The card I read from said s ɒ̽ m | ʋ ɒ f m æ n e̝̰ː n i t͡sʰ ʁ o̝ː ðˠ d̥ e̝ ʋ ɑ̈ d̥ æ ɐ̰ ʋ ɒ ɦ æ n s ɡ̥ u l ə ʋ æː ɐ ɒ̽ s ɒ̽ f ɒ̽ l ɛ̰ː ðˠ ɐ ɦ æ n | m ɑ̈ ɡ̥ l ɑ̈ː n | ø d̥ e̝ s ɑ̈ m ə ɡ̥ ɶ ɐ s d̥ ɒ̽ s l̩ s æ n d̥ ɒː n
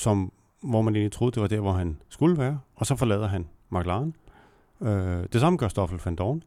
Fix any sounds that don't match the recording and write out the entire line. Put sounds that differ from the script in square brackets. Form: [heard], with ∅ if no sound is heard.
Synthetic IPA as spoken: s ɒ̽ m | ʋ ɒ [∅] m æ n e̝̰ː n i t͡sʰ ʁ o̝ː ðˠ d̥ e̝ ʋ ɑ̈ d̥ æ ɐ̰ ʋ ɒ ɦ æ n s ɡ̥ u l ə ʋ æː ɐ ɒ̽ s ɒ̽ f ɒ̽ l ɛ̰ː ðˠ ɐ ɦ æ n | m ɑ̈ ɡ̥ l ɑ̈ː n | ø d̥ e̝ s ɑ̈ m ə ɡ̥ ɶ ɐ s d̥ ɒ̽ [f] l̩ [f] æ n d̥ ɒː n